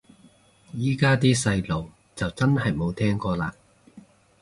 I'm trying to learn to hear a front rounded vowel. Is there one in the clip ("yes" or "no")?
no